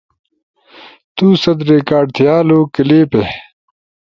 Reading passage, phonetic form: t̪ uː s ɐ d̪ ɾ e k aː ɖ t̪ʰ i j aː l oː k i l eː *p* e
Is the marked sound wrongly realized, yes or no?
no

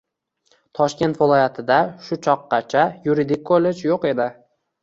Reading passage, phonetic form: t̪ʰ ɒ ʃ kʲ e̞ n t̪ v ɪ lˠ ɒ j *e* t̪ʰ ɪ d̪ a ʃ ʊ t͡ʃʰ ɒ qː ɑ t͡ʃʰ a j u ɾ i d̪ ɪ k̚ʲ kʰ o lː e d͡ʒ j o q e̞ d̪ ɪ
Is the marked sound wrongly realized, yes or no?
yes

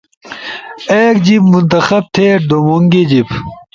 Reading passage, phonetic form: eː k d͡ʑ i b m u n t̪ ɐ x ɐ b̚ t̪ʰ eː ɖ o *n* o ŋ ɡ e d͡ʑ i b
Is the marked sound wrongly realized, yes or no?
yes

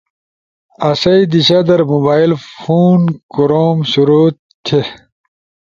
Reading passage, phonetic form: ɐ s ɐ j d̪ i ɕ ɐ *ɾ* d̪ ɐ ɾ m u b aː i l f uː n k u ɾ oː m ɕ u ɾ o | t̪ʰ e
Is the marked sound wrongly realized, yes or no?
yes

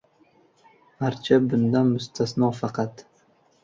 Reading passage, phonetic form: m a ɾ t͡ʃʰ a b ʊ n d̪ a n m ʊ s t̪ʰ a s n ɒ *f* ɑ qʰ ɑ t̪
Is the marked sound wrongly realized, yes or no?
no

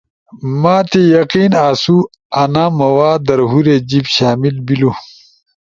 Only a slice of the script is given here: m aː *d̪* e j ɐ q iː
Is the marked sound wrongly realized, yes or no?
yes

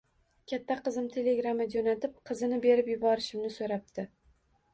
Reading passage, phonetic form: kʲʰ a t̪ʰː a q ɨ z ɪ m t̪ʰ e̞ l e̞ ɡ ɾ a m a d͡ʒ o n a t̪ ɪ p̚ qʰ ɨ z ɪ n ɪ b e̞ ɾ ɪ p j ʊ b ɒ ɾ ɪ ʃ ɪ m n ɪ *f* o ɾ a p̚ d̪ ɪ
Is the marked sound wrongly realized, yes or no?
yes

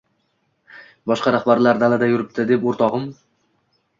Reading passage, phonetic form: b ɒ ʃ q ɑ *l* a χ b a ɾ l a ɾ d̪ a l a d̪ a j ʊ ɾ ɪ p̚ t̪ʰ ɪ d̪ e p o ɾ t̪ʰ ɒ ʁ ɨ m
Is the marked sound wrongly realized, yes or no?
yes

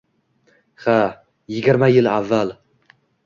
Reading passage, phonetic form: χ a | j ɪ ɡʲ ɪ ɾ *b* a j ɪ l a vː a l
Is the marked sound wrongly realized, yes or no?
yes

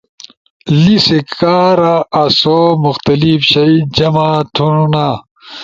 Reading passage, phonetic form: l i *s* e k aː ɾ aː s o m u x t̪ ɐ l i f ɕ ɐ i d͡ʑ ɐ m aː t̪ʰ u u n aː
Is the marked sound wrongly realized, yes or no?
no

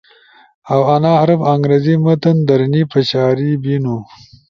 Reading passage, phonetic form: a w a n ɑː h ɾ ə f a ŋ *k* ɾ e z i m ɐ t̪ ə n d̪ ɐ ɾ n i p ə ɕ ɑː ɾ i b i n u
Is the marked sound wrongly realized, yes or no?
yes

